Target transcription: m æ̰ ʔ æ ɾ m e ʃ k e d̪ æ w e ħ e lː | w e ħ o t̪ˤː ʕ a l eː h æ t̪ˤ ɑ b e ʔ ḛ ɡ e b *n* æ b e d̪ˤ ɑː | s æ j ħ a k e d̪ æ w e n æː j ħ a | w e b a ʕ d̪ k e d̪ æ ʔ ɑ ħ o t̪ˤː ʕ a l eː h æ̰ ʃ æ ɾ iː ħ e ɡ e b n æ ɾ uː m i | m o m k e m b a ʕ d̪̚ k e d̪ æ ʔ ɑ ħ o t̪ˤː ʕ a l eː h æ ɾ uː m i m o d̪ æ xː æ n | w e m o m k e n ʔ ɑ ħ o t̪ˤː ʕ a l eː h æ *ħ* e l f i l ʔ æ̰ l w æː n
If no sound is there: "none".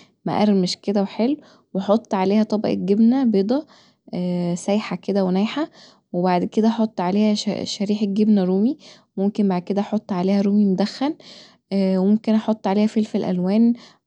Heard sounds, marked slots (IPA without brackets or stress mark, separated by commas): n, f